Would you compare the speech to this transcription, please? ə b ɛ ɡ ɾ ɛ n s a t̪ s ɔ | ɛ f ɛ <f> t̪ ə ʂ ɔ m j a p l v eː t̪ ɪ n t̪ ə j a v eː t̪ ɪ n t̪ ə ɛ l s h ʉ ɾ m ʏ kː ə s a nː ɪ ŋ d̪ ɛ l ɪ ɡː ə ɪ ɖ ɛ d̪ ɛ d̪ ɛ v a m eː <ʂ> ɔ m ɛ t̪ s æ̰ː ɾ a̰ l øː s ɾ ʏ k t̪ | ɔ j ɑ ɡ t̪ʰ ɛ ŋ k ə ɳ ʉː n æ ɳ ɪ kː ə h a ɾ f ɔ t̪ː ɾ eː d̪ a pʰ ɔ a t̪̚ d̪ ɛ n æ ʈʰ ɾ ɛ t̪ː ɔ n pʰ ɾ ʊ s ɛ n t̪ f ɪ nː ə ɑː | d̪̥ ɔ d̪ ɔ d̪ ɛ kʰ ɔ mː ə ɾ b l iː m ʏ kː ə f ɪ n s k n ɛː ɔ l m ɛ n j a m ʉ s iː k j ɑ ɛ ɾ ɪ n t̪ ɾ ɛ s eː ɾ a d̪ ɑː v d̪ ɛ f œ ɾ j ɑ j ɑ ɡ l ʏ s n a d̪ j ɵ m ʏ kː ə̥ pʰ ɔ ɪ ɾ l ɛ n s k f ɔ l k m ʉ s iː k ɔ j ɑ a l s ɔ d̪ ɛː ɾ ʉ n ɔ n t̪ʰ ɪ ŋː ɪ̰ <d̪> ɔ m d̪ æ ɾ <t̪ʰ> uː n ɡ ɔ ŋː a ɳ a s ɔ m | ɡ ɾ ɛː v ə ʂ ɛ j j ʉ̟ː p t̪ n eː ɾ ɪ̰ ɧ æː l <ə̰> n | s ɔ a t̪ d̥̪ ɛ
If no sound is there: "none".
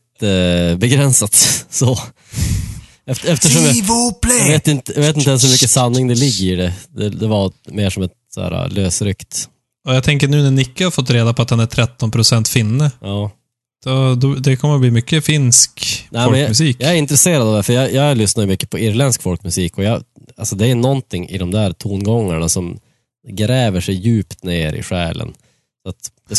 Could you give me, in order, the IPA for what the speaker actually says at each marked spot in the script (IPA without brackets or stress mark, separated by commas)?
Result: f, ʂ, d̪, t̪ʰ, ə̰